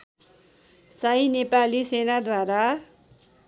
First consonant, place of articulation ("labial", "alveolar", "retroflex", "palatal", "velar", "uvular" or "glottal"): alveolar